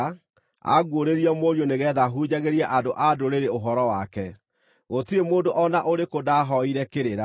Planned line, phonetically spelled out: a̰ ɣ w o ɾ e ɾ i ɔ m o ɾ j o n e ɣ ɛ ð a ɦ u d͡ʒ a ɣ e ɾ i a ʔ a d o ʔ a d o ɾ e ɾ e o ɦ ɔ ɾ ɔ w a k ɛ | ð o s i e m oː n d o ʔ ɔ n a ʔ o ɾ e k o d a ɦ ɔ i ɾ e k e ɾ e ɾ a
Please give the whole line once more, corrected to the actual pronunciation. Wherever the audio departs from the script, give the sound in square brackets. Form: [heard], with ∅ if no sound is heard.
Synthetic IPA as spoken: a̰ ɣ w o ɾ e ɾ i ɔ m o ɾ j o n e ɣ ɛ ð a ɦ u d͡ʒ a ɣ e ɾ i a ʔ a d o ʔ a d o ɾ e ɾ e o ɦ ɔ ɾ ɔ w a k ɛ | [ɣ] o [t] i e m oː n d o ʔ ɔ n a ʔ o ɾ e k o d a ɦ ɔ i ɾ [ɛ] k e ɾ e ɾ a

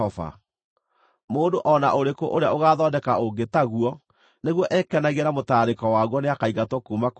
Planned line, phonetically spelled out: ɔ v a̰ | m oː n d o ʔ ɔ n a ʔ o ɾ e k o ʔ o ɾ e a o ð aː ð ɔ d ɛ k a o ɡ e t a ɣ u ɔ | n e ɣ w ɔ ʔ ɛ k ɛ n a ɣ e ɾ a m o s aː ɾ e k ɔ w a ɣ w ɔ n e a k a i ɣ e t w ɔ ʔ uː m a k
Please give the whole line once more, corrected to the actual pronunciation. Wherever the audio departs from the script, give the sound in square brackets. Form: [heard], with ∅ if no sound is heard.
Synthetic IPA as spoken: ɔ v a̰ | m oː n d o ʔ ɔ n a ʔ o ɾ e k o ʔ o ɾ e a o [ɣ] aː ð ɔ d ɛ k a o ɡ e t a ɣ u ɔ | n e ɣ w ɔ ʔ ɛ k ɛ n a ɣ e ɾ a m o [t] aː ɾ e k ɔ w a ɣ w ɔ n e a k a i ɣ [a] t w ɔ [k] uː m a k

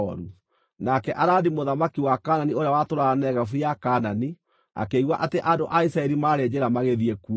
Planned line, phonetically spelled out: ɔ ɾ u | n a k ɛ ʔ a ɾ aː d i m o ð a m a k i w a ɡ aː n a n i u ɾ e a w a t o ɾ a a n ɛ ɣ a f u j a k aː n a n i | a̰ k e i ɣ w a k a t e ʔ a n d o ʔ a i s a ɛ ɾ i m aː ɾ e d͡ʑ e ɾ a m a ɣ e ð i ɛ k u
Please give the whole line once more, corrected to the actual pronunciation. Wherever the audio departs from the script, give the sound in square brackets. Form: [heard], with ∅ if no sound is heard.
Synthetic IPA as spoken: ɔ ɾ u | n a k ɛ ʔ a ɾ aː d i m o ð a m a k i w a [k] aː n a n i [o] ɾ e a w a t o ɾ a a n ɛ ɣ a f u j a k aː n a n i | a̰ k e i ɣ w a [ʔ] a t e ʔ a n d o ʔ a i s a ɛ ɾ i m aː ɾ e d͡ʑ e ɾ a m a ɣ e ð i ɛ k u

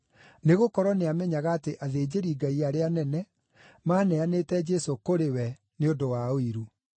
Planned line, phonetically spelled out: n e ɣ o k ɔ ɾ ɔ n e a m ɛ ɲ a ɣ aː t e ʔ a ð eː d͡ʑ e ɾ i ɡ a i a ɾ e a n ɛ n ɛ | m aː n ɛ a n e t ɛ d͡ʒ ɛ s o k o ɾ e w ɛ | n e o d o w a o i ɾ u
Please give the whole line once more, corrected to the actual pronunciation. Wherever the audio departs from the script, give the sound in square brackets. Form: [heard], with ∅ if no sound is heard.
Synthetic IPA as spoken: n e ɣ o k ɔ ɾ ɔ n e a m ɛ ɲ a ɣ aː t e ʔ a ð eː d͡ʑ e ɾ i ɡ a i a ɾ e a n ɛ n ɛ | m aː n ɛ a n e t ɛ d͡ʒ ɛ s o k o ɾ e w ɛ | n e o d o w a o i ɾ u

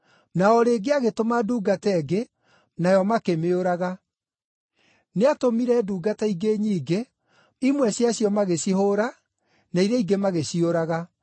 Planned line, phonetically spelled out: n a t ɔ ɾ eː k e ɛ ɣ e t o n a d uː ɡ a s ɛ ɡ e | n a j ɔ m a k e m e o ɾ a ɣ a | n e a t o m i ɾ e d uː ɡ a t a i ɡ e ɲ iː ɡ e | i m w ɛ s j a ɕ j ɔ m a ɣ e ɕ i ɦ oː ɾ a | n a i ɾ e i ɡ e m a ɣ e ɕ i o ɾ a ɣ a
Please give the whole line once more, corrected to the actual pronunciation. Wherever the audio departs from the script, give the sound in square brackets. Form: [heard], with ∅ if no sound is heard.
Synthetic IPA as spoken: n a [∅] ɔ ɾ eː [ɡ] e [a] ɣ e t o [m] a d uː ɡ a [t] ɛ ɡ e | n a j ɔ m a k e m e o ɾ a ɣ a | n e a t o m i ɾ [ɛ] d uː ɡ a t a i ɡ e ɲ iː ɡ e | i m w ɛ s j a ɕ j ɔ m a ɣ e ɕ i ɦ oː ɾ a | n a i ɾ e i ɡ e m a ɣ e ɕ i o ɾ a ɣ a

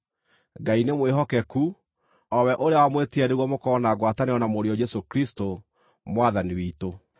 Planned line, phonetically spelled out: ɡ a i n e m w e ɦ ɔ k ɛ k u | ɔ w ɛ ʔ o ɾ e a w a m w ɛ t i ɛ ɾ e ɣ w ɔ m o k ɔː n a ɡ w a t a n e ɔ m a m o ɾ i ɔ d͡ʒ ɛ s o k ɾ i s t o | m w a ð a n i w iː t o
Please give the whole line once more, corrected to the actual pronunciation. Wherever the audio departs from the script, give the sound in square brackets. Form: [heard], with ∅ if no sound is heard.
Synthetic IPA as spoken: ɡ a i n e m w e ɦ ɔ k ɛ k u | ɔ w ɛ ʔ o ɾ e a w a m w [e] t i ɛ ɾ e ɣ w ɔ m o k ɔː n a ɡ w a t a n e ɔ [n] a m o ɾ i ɔ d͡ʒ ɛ s o k ɾ i s t o | m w a ð a n i w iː t o

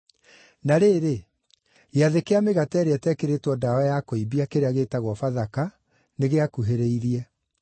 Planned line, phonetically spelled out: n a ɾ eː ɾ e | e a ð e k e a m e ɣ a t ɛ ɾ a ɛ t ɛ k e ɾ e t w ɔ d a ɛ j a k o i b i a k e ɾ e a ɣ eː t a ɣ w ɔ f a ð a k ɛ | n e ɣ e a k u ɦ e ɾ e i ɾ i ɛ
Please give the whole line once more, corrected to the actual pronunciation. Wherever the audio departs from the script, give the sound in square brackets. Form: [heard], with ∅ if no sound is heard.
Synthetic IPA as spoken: n a ɾ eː ɾ e | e a ð e k e a m e ɣ a t ɛ ɾ [e] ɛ t ɛ k e ɾ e t w ɔ d a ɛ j a k o i b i a k e ɾ e a ɣ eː t a ɣ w ɔ f a ð a k [a] | n e ɣ e a k u ɦ e ɾ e i ɾ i ɛ

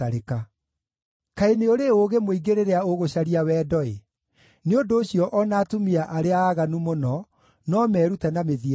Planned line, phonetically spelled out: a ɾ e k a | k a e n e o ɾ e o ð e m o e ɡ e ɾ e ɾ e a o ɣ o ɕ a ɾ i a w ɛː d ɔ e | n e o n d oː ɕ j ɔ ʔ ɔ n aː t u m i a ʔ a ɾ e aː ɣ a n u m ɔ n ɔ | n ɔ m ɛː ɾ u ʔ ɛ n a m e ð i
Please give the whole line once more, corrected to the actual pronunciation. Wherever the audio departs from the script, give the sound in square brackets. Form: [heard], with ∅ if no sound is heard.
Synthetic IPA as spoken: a ɾ e k a | k a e n e o ɾ e o [ɣ] e m o [i] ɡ e ɾ e ɾ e a o ɣ o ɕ a ɾ i a w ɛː d ɔ e | n e o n d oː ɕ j ɔ ʔ ɔ n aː t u m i a ʔ a ɾ e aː ɣ a n u m [o] n ɔ | n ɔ m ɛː ɾ u [t] ɛ n a m e ð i

